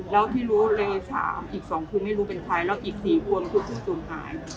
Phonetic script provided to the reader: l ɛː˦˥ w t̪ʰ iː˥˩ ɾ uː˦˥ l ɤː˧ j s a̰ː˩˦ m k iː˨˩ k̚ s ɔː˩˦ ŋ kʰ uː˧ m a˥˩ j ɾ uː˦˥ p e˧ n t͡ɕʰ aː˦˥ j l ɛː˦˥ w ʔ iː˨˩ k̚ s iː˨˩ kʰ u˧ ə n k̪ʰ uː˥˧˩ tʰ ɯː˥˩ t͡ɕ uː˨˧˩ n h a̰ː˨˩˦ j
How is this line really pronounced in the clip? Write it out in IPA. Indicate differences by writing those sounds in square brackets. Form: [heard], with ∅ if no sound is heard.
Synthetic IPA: l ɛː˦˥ w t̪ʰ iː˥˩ ɾ uː˦˥ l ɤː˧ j s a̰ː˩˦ m [ʔ] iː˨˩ k̚ s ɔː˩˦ ŋ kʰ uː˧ m a˥˩ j ɾ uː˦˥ p e˧ n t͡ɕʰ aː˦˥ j l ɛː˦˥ w ʔ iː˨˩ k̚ s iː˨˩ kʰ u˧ ə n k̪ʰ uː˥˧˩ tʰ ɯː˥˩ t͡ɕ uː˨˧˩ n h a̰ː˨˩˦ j